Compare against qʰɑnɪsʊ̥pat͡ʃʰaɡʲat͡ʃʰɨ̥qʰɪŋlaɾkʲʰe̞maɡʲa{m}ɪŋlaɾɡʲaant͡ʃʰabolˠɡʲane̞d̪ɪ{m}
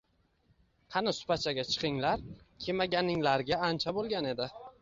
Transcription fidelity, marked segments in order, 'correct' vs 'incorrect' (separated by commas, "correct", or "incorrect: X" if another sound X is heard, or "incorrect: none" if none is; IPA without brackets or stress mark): incorrect: n, incorrect: none